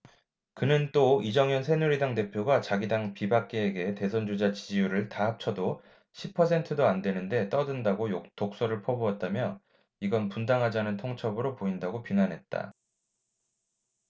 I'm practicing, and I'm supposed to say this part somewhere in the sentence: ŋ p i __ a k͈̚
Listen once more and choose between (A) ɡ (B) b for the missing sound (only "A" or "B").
B